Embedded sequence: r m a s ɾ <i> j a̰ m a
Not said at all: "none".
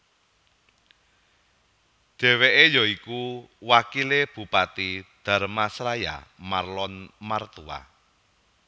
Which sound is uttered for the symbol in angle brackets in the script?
a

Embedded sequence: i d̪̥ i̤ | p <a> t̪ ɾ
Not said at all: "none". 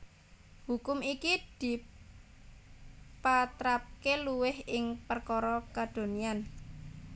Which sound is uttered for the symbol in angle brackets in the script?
a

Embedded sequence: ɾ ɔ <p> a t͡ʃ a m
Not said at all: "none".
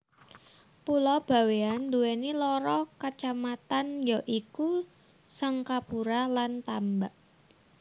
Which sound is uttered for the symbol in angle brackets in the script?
k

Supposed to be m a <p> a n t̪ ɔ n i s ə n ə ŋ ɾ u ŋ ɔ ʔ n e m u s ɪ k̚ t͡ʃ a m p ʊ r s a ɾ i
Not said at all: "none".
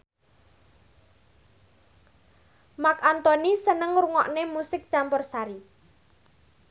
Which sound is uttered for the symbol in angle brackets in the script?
k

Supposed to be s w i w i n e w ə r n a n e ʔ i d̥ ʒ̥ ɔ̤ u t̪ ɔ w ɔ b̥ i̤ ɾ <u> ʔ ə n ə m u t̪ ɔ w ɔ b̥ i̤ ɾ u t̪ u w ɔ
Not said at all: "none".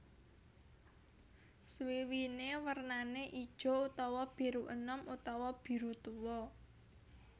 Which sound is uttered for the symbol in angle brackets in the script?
u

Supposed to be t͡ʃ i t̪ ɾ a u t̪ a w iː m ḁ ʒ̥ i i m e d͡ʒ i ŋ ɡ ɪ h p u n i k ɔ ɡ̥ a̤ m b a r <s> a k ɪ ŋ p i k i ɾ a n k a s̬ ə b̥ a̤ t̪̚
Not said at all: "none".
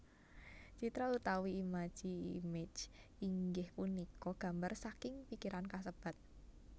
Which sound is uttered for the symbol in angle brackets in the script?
s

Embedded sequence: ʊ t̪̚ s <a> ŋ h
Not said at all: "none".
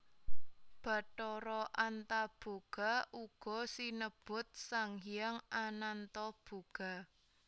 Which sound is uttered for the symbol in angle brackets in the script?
a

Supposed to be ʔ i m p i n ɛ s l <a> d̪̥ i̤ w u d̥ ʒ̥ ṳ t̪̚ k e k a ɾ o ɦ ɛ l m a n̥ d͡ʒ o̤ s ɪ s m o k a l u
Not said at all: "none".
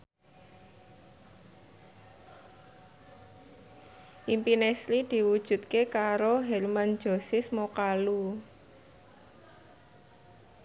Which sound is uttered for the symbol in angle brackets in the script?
i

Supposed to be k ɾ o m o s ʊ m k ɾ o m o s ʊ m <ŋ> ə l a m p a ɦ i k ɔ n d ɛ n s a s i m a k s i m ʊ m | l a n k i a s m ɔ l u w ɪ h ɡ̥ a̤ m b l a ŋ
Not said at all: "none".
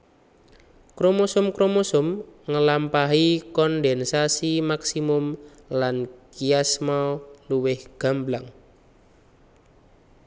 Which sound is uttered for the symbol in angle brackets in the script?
ŋ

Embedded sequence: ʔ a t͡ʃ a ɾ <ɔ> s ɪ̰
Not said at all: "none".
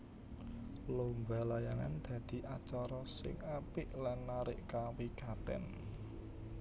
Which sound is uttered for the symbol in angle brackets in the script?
ɔ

